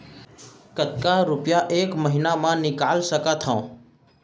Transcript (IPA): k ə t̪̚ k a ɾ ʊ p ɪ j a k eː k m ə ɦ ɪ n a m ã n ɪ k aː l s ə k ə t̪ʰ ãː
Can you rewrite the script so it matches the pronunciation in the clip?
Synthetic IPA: k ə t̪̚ k a ɾ ʊ p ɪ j a ʔ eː k m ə ɦ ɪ n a m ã n ɪ k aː l s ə k a t̪ʰ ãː